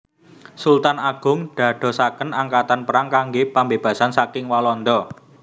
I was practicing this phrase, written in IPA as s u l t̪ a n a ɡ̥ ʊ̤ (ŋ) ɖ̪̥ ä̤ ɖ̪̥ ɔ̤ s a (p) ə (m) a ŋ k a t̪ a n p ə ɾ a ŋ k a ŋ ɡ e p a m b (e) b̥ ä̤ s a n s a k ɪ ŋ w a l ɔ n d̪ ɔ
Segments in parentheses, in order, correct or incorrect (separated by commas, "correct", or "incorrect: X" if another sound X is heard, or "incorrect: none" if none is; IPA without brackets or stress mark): correct, incorrect: k, incorrect: n, correct